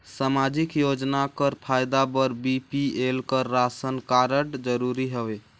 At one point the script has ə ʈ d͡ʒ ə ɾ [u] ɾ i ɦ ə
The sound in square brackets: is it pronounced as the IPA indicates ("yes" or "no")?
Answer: yes